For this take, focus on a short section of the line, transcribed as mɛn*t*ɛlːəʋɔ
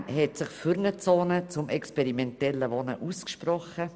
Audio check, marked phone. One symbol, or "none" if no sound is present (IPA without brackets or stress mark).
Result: t